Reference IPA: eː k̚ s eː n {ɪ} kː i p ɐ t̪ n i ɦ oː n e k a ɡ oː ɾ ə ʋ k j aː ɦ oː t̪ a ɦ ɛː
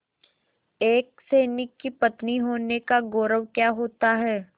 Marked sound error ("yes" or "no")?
no